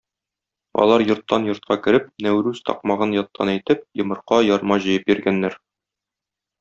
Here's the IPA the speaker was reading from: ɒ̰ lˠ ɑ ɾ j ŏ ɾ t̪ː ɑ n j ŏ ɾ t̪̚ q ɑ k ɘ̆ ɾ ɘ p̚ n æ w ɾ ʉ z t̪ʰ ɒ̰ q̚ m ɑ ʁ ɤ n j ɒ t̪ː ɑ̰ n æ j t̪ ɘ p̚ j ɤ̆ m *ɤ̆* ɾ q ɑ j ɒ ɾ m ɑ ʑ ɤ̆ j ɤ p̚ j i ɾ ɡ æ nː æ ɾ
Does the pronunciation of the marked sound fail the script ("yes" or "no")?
no